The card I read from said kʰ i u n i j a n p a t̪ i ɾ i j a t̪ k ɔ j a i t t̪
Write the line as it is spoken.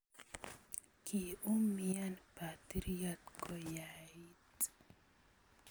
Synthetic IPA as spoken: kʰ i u m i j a n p a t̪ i ɾ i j a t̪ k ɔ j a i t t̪